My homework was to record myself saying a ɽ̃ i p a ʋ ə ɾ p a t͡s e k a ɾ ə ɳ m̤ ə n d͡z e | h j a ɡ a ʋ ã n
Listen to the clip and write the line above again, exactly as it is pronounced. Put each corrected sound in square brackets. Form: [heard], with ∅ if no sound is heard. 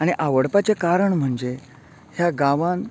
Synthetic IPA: a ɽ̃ i [ʔ] a ʋ ə [ɽ] p a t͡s e k a ɾ ə ɳ m̤ ə [ɳ] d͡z e | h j a ɡ a ʋ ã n